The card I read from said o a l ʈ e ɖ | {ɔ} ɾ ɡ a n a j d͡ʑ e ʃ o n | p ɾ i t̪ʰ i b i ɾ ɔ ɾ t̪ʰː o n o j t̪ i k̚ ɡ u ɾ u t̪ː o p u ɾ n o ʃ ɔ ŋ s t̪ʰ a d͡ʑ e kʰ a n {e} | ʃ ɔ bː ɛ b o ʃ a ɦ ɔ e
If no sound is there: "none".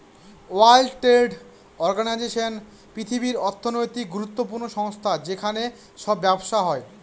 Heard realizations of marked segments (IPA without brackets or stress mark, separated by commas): ɔ, e